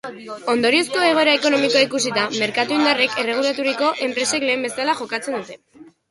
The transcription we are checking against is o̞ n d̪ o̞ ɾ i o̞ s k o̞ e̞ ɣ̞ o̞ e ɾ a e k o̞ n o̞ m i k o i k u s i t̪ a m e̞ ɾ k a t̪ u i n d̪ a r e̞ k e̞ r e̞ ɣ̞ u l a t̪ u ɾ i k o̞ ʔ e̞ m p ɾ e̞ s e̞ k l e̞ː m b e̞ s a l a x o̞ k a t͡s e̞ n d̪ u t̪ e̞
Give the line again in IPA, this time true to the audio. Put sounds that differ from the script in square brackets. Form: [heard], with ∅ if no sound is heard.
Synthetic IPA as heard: o̞ n d̪ o̞ ɾ i o̞ s k o̞ e̞ ɣ̞ o̞ e ɾ a e k o̞ n o̞ m i k o i k u s i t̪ a m e̞ ɾ k a t̪ u i n d̪ a r e̞ k e̞ r e̞ ɣ̞ u l a t̪ u ɾ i k o̞ ʔ e̞ m p ɾ e̞ s e̞ k l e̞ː m b e̞ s a l a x o̞ k a t͡s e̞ n d̪ u t̪ e̞